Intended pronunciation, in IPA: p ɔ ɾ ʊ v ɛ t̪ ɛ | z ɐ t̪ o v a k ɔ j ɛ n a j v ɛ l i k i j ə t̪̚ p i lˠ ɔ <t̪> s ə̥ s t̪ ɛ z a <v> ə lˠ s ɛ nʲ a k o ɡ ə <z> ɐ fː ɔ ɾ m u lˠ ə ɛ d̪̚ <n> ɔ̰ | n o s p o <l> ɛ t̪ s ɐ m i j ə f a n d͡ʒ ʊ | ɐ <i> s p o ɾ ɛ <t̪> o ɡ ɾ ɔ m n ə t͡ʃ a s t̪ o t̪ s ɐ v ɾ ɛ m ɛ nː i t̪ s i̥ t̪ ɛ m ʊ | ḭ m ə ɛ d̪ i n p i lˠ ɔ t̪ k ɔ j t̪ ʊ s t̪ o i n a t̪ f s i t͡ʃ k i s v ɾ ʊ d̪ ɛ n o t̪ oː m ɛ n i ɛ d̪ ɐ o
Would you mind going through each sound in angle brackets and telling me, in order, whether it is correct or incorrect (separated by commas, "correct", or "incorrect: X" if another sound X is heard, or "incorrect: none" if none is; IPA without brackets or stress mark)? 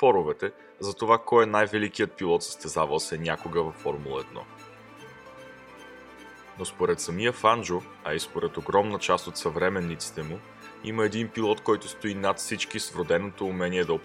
correct, correct, incorrect: v, correct, incorrect: ɾ, correct, correct